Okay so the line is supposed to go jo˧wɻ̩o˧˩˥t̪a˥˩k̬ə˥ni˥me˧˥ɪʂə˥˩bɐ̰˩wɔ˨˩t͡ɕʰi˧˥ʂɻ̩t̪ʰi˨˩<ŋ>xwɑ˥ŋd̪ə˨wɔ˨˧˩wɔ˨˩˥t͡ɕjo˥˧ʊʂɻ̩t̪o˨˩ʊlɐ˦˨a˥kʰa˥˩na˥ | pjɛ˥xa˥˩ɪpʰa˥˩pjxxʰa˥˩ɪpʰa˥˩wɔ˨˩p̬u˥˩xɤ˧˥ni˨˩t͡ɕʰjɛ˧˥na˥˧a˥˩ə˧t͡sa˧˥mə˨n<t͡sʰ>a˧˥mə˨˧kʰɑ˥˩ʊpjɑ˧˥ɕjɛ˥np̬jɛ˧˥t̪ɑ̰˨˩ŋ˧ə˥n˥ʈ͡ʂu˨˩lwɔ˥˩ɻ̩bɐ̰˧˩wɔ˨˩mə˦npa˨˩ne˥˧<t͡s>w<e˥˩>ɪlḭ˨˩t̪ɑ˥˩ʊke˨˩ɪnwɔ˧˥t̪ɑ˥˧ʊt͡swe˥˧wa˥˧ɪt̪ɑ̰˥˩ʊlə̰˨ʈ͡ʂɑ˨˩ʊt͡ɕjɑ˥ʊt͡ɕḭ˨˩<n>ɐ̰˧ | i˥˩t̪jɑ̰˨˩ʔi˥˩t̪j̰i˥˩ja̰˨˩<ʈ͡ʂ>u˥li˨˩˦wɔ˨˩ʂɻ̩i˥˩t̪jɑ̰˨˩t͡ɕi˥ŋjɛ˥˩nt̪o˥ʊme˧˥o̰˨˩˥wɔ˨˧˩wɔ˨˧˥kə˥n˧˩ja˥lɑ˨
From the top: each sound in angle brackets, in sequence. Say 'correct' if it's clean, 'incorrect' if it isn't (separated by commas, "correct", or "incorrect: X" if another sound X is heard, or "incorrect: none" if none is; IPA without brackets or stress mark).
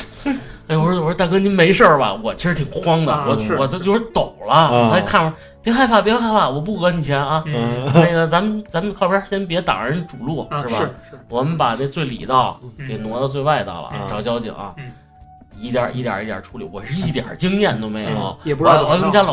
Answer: correct, incorrect: t͡s, correct, correct, incorrect: ŋ, incorrect: ʈ͡ʂʰ